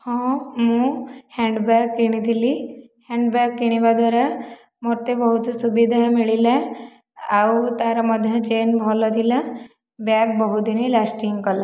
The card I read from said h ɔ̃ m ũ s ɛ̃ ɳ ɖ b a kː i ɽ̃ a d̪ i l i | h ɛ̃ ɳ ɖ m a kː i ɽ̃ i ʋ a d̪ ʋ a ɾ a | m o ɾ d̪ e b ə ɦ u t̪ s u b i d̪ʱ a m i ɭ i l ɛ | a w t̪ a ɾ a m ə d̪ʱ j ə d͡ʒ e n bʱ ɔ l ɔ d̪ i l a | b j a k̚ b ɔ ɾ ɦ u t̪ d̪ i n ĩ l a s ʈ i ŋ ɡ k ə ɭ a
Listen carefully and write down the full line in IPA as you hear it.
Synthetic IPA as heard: h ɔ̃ m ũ h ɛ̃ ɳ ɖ b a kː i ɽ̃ i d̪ i l i | h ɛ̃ ɳ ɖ b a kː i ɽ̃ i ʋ a d̪ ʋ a ɾ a | m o ɾ t̪ e b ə ɦ u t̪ s u b i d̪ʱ a m i ɭ i l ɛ | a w t̪ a ɾ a m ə d̪ʱ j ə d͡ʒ e n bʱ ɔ l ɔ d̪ i l a | b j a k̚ b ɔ ɦ u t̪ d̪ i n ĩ l a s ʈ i ŋ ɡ k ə l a

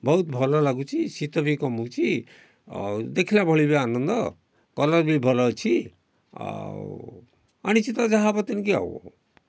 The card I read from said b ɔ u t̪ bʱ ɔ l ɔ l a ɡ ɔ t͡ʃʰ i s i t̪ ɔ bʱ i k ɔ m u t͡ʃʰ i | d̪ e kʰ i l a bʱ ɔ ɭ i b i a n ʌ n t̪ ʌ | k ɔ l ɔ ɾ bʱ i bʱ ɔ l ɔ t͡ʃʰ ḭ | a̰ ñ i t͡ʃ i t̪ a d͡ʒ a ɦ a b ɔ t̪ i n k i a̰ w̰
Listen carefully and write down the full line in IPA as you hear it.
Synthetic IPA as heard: b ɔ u t̪ bʱ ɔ l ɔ l a ɡ u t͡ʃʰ i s i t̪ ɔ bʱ i k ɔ m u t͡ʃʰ i | d̪ e kʰ i l a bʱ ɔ ɭ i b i a n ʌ n d̪ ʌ | k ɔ l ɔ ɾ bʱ i bʱ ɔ l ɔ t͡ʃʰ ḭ | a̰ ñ i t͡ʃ i t̪ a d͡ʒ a ɦ a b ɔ t̪ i n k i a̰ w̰

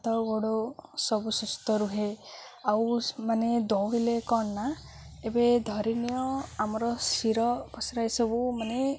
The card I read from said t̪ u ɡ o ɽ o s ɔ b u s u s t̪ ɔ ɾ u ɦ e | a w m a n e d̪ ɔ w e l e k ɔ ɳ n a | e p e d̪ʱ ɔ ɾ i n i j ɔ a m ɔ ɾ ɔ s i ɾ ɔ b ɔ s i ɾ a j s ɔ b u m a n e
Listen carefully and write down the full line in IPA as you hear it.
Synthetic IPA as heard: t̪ ɔ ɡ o ɽ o s ɔ b u s u s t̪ ɔ ɾ u ɦ e | a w m a n e d̪ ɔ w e l e k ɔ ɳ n a | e b e d̪ʱ ɔ ɾ i n i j ɔ a m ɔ ɾ ɔ s i ɾ ɔ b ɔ s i ɾ a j s ɔ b u m a n e

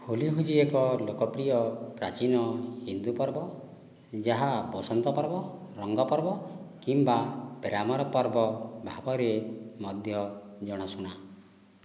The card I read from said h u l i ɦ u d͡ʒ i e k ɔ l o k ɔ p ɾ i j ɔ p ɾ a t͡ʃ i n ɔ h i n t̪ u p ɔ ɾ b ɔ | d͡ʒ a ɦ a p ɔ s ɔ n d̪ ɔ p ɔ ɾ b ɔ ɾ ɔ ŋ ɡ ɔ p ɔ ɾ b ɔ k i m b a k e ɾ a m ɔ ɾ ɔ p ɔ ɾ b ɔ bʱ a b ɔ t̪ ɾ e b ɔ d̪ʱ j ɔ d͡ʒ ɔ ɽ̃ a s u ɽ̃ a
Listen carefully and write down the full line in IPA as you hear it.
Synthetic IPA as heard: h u l i ɦ u d͡ʒ i e k ɔ l o k ɔ p ɾ i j ɔ p ɾ a t͡ʃ i n ɔ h i n d̪ u p ɔ ɾ b ɔ | d͡ʒ a ɦ a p ɔ s ɔ n t̪ ɔ p ɔ ɾ b ɔ ɾ ɔ ŋ ɡ ɔ p ɔ ɾ b ɔ k i m b a p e ɾ a m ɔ ɾ ɔ p ɔ ɾ b ɔ bʱ a b ɔ ɾ e m ɔ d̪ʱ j ɔ d͡ʒ ɔ ɽ̃ a s u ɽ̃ a

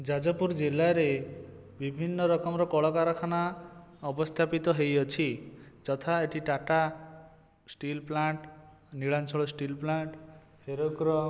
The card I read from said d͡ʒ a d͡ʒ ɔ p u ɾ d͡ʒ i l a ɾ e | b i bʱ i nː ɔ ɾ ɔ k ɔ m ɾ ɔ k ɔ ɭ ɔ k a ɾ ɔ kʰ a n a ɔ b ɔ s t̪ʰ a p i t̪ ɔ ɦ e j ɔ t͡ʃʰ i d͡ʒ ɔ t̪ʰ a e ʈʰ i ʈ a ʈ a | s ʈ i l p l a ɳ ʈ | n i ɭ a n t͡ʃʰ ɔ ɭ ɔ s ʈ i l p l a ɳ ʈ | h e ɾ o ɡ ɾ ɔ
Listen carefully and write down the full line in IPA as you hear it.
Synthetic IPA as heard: d͡ʒ a d͡ʒ ɔ p u ɾ d͡ʒ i l a ɾ e | b i bʱ i nː ɔ ɾ ɔ k ɔ m ɾ ɔ k ɔ ɭ ɔ k a ɾ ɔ kʰ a n a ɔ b ɔ s t̪ʰ a p i t̪ ɔ ɦ e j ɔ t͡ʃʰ i d͡ʒ ɔ t̪ʰ a e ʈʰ i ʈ a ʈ a | s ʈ i l p l a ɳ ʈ | n i ɭ a n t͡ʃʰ ɔ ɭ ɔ s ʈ i l p l a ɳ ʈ | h e ɾ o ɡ ɾ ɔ

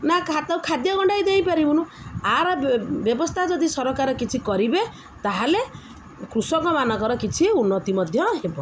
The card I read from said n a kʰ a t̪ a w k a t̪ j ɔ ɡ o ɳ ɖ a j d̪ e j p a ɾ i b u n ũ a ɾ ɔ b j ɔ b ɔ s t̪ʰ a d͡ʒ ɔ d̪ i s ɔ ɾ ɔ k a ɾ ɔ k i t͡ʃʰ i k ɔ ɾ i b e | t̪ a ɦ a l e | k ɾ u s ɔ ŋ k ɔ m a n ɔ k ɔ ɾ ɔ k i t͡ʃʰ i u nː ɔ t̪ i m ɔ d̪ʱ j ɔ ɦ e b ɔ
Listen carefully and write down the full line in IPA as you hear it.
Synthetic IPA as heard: n a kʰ a t̪ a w kʰ a d̪ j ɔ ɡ ɔ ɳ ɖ a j d̪ e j p a ɾ i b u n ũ a ɾ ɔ b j ɔ b ɔ s t̪ʰ a d͡ʒ ɔ d̪ i s ɔ ɾ ɔ k a ɾ ɔ k i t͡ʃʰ i k ɔ ɾ i b e | t̪ a ɦ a l e | k ɾ u s ɔ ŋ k ɔ m a n ɔ k ɔ ɾ ɔ k i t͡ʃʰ i u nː ɔ t̪ i m ɔ d̪ʱ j ɔ ɦ e b ɔ

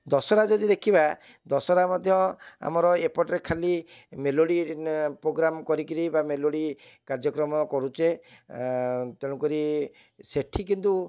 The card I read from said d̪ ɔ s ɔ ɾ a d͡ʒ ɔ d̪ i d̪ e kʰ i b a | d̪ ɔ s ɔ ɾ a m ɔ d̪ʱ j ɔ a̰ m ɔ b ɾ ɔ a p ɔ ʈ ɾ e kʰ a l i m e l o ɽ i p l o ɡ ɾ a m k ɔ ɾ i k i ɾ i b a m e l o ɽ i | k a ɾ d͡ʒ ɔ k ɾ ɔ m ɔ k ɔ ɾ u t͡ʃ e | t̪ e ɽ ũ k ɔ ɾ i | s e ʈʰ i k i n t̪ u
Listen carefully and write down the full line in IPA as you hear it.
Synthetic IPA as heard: d̪ ɔ s ɔ ɾ a d͡ʒ ɔ d̪ i d̪ e kʰ i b a | d̪ ɔ s ɔ ɾ a m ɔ d̪ʱ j ɔ a̰ m ɔ ɾ ɔ e p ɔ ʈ ɾ e kʰ a l i m e l o ɽ i p ɾ o ɡ ɾ a m k ɔ ɾ i k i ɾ i b a m e l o ɽ i | k a ɾ d͡ʒ ɔ k ɾ ɔ m ɔ k ɔ ɾ u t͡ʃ e | t̪ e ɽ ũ k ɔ ɾ i | s e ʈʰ i k i n t̪ u

